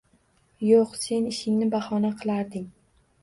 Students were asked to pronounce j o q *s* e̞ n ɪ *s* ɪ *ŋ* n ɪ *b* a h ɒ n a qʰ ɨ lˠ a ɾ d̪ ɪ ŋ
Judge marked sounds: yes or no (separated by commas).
yes, no, yes, yes